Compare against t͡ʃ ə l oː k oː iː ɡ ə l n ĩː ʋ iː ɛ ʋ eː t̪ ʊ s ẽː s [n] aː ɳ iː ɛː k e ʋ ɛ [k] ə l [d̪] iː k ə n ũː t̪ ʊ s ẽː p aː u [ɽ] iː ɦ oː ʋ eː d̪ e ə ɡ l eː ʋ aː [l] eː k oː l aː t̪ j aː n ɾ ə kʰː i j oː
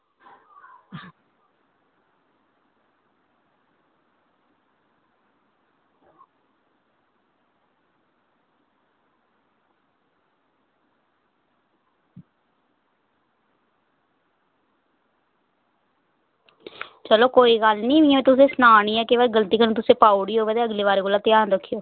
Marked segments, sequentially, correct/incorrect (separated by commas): correct, incorrect, incorrect, correct, incorrect